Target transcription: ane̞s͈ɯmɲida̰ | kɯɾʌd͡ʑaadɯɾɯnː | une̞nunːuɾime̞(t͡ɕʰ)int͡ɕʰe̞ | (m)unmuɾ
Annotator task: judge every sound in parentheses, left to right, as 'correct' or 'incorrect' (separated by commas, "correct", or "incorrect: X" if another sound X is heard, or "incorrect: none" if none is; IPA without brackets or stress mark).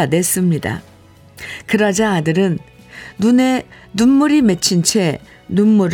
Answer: correct, incorrect: n